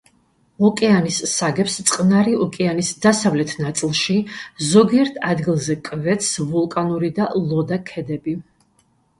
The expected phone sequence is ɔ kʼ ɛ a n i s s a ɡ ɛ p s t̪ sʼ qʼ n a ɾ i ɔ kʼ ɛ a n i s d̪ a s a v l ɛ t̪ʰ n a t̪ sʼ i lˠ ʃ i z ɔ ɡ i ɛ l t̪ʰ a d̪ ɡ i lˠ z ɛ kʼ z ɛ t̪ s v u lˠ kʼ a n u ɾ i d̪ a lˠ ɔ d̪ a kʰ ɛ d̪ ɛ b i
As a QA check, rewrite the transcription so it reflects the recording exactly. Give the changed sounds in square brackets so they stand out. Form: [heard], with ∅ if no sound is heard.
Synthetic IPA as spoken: ɔ kʼ ɛ a n i s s a ɡ ɛ p s t̪ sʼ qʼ n a ɾ i ɔ kʼ ɛ a n i s d̪ a s a v l ɛ t̪ʰ n a t̪ sʼ i lˠ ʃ i z ɔ ɡ i ɛ [ɾ] t̪ʰ a d̪ ɡ i lˠ z ɛ kʼ [v] ɛ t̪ s v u lˠ kʼ a n u ɾ i d̪ a lˠ ɔ d̪ a kʰ ɛ d̪ ɛ b i